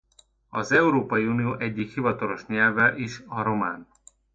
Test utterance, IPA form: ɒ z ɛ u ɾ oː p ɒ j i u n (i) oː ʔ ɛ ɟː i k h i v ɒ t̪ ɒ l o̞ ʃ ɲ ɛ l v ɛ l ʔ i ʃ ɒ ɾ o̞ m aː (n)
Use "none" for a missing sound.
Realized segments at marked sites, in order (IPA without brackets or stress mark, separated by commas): i, n